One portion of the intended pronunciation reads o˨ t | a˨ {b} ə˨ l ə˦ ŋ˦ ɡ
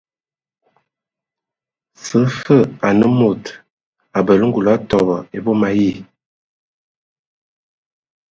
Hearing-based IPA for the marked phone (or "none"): b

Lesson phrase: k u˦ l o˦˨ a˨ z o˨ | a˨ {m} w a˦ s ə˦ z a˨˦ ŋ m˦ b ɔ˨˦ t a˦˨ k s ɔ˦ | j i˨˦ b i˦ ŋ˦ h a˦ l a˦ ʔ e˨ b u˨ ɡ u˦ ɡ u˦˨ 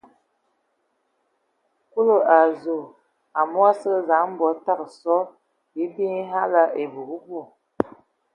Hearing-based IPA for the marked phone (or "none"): m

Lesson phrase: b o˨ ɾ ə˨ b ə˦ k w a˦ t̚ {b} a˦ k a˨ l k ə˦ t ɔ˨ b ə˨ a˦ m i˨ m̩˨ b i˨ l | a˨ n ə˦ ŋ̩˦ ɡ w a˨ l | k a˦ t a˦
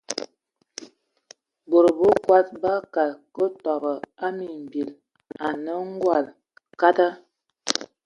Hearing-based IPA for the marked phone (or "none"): b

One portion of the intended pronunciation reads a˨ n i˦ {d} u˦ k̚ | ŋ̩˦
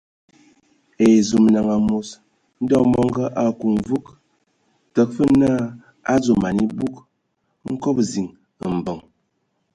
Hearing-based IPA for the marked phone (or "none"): b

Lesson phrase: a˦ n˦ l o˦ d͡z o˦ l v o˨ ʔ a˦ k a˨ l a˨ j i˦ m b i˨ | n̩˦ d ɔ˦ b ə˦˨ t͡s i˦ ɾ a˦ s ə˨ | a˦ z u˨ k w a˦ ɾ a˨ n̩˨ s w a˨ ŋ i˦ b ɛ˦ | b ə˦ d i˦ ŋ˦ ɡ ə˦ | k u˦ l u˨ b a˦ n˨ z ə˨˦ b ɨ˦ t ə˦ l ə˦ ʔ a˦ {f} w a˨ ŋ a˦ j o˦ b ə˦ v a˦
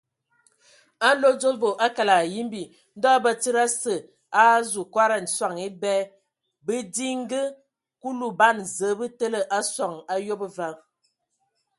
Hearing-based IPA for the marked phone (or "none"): s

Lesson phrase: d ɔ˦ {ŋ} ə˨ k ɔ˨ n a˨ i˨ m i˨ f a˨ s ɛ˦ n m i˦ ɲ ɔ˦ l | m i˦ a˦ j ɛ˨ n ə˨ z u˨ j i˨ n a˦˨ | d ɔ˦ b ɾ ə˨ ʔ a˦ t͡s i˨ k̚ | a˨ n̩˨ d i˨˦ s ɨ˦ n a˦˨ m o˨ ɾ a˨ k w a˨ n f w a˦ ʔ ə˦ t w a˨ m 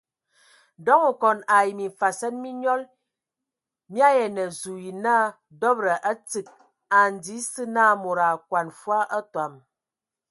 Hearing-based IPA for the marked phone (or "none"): ŋ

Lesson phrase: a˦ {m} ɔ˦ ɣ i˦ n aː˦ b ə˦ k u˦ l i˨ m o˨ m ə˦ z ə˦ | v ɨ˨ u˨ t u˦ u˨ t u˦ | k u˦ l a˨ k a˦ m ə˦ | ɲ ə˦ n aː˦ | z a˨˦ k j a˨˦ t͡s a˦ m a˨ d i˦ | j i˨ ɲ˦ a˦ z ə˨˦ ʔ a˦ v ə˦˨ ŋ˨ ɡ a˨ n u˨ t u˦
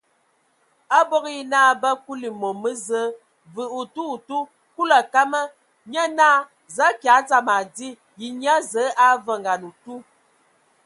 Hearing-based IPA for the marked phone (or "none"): b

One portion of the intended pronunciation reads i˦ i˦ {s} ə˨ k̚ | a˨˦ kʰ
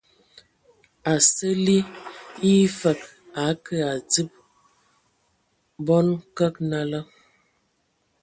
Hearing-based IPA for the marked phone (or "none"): f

